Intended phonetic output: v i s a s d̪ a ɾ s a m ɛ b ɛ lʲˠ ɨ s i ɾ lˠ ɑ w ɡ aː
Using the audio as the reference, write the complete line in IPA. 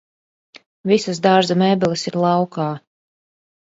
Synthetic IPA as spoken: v i s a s d̪ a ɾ z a m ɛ b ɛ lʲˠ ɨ s i ɾ lˠ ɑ w k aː